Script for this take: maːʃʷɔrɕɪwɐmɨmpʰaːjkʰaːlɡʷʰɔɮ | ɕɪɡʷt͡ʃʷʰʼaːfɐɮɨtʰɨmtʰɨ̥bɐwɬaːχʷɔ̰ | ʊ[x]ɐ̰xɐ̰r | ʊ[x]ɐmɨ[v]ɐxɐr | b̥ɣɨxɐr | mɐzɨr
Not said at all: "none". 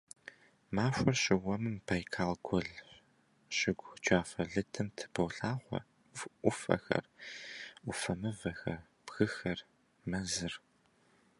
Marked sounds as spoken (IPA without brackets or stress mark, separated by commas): f, f, v